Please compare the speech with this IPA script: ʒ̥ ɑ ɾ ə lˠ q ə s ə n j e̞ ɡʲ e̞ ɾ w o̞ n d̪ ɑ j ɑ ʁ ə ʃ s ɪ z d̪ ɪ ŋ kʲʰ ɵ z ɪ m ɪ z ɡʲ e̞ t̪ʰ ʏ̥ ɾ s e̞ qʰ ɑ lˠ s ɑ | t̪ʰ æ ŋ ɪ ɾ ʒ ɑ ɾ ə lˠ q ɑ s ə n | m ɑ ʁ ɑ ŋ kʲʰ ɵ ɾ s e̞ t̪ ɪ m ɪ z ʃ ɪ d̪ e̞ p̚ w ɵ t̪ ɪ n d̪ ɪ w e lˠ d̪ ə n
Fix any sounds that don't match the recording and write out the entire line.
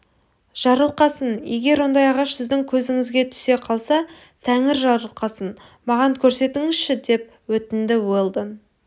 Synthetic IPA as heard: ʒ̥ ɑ ɾ ə lˠ q ɑ s ə n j e̞ ɡʲ e̞ ɾ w o̞ n d̪ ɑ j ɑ ʁ ɑ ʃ s ɪ z d̪ ɪ ŋ kʲʰ ɵ z ɪ ŋ ɪ z ɡʲ e̞ t̪ʰ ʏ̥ s e̞ qʰ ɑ lˠ s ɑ | t̪ʰ æ ŋ ɪ ɾ ʒ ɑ ɾ ə lˠ q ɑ s ə n | m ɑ ʁ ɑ ŋ kʲʰ ɵ ɾ s e̞ t̪ ɪ ŋ ɪ z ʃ ɪ d̪ e̞ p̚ w ɵ t̪ ɪ n d̪ ɪ w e lˠ d̪ ə n